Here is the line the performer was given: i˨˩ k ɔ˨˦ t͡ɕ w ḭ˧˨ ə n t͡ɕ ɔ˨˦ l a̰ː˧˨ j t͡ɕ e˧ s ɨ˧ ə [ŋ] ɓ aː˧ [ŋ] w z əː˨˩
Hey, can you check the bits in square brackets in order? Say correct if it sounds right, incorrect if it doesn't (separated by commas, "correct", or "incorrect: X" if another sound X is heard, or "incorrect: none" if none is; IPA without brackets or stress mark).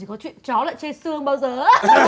correct, incorrect: none